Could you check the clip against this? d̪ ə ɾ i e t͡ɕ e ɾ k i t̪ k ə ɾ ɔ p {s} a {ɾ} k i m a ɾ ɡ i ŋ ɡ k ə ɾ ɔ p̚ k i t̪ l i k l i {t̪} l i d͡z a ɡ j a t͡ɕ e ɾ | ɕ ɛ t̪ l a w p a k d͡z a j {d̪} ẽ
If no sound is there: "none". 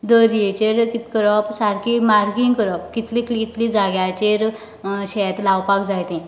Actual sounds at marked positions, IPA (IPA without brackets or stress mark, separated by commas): s, ɾ, t̪, t̪